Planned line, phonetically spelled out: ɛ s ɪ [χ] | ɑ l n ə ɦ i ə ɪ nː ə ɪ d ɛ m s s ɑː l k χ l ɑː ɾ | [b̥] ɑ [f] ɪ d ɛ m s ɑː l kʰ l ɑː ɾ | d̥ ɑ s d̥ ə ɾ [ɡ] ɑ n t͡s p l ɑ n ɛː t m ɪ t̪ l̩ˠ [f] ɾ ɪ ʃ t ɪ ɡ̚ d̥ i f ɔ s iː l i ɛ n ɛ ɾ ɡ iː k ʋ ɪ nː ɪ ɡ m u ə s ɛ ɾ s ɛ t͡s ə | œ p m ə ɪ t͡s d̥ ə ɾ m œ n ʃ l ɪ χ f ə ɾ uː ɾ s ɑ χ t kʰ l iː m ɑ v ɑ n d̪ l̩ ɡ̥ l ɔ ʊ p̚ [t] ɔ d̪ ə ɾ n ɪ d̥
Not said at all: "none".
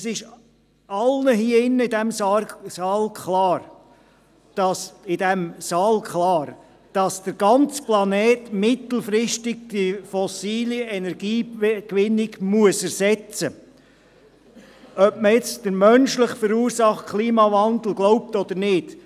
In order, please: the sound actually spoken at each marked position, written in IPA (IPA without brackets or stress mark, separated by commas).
ʃ, d̥, s, ɡ, f, t